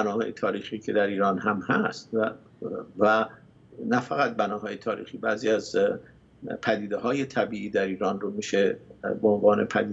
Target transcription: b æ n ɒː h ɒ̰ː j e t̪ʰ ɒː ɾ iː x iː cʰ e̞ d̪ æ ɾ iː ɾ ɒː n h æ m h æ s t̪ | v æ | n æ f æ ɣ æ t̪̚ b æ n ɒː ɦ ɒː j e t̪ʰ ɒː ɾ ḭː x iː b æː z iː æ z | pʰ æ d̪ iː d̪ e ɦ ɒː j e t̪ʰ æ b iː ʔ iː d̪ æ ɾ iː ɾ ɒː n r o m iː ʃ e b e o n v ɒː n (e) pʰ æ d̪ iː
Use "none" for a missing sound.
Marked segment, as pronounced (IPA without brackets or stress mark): e